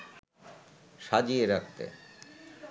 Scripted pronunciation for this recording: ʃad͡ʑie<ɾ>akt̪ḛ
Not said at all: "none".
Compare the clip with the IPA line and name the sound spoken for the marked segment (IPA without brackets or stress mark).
ɾ